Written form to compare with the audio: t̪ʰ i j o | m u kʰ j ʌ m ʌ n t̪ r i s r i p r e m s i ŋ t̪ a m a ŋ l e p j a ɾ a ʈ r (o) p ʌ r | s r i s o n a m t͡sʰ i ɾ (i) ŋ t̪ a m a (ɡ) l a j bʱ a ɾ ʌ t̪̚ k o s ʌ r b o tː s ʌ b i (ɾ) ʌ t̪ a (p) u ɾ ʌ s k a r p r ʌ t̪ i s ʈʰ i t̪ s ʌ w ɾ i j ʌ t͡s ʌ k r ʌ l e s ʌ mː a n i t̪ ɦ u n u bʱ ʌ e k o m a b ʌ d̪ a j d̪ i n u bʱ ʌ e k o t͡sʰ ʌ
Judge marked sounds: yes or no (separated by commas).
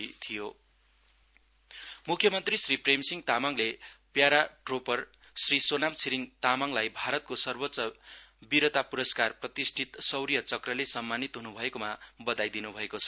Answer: yes, yes, no, yes, yes